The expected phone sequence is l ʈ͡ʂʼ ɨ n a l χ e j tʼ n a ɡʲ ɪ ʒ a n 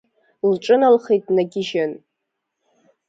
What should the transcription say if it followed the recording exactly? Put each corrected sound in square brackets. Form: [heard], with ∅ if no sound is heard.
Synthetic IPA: l ʈ͡ʂʼ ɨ n a l χ e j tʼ n a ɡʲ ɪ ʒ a n